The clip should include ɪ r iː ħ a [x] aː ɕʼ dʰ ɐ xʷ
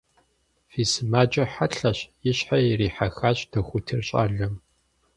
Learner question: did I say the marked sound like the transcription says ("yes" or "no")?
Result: yes